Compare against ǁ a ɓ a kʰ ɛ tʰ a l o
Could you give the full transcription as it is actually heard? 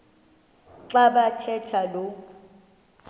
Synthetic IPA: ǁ a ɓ a tʰ ɛ tʰ a l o